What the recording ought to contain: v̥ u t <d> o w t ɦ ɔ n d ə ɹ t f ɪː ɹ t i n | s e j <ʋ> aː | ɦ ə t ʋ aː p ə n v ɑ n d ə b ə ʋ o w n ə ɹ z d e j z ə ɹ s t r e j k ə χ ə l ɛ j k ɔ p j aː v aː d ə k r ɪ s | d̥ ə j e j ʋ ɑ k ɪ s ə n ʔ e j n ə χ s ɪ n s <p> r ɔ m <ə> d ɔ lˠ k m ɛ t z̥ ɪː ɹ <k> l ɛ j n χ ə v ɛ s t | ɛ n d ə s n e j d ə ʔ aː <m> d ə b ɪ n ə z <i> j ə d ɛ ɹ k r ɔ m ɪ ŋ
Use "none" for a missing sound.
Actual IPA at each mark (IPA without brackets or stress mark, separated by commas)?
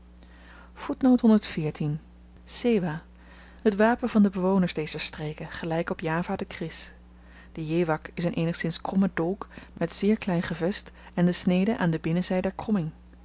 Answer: n, ʋ, k, ə, k, n, ɛ